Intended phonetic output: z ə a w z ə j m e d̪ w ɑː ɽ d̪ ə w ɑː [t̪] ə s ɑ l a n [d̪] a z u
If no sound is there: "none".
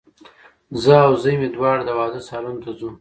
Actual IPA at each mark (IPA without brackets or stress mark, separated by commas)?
d̪, t̪